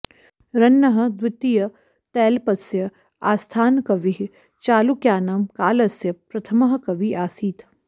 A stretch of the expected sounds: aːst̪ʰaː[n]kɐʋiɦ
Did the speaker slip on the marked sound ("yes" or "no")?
no